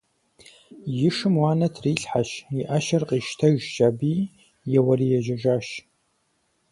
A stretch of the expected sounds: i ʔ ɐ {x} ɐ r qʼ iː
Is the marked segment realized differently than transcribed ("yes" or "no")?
yes